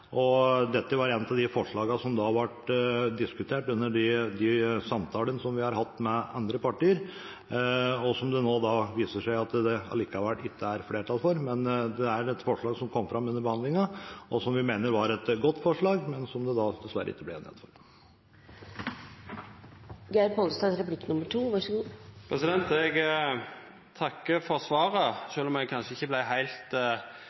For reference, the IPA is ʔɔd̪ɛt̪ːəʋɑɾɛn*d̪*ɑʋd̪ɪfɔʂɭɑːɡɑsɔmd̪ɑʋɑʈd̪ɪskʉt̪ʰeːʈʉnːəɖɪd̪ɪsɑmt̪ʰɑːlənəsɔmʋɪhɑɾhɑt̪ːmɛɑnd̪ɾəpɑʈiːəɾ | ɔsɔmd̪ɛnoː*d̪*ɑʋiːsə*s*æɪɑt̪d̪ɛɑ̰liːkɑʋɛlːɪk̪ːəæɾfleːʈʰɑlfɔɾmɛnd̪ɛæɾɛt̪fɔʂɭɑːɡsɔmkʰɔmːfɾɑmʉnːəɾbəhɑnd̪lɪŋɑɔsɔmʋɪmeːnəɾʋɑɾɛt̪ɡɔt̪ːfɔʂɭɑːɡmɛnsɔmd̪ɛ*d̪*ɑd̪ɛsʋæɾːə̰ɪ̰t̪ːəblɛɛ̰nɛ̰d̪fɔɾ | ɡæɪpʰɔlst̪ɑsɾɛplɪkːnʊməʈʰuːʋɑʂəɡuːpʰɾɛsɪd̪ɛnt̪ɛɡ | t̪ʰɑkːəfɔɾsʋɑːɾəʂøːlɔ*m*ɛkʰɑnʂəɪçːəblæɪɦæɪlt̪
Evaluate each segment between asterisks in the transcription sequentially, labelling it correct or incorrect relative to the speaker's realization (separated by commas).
incorrect, correct, incorrect, correct, correct